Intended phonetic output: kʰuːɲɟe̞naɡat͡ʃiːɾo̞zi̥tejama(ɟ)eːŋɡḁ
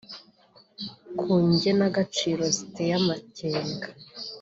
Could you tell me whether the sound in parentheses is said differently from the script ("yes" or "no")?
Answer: yes